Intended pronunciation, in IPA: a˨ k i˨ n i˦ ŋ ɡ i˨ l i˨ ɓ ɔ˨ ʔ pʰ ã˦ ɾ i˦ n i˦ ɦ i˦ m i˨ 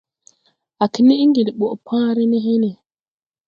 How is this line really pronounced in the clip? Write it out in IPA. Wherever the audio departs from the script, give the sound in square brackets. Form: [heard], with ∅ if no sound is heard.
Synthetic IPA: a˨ k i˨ n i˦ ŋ ɡ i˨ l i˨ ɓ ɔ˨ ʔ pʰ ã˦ ɾ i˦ n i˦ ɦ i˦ [n] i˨